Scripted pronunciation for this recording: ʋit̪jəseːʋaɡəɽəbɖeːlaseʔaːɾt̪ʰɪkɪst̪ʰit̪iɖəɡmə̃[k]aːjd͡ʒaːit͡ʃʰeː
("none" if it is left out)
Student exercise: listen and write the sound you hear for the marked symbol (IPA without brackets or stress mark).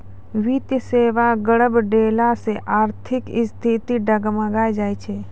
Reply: ɡ